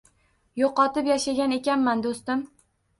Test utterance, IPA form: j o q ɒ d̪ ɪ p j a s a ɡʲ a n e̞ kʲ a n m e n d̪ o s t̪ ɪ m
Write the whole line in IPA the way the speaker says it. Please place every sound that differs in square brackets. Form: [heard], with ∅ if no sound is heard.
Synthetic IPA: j o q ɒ [t̪] ɪ p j a [ʃ] a ɡʲ a n e̞ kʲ a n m [a] n d̪ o s t̪ ɪ m